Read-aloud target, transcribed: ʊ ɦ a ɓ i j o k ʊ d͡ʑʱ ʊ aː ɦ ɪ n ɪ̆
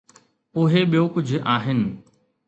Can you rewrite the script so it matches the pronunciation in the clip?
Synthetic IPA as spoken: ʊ ɦ e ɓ i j o k ʊ d͡ʑʱ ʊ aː ɦ ɪ n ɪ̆